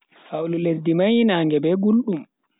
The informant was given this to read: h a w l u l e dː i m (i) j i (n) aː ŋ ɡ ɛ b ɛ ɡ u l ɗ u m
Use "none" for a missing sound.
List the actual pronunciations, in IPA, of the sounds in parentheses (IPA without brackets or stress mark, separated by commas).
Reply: a, n